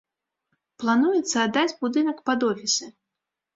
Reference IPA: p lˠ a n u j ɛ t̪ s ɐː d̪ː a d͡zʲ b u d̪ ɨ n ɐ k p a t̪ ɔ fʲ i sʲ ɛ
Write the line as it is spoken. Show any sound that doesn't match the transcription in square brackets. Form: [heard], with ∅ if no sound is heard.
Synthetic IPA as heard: p lˠ a n u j ɛ t̪ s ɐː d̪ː a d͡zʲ b u d̪ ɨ n ɐ k p a [d̪] ɔ fʲ i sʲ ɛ